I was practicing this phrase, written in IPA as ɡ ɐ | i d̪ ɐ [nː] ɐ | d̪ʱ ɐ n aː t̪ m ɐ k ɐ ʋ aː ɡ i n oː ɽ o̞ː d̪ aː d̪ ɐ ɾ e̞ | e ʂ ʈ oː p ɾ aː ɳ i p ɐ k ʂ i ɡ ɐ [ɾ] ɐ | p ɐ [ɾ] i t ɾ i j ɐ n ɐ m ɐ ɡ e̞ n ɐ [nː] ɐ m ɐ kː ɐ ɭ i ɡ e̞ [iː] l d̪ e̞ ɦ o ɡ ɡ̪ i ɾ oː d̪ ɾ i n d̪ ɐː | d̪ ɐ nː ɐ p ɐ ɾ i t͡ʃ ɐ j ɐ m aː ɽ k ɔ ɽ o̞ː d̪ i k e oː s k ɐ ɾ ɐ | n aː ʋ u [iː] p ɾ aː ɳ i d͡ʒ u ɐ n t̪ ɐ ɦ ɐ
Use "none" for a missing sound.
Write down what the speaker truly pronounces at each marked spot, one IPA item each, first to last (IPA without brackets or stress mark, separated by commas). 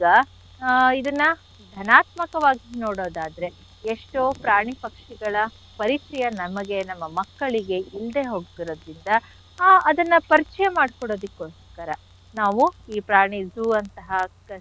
nː, ɭ, ɾ, mː, i, iː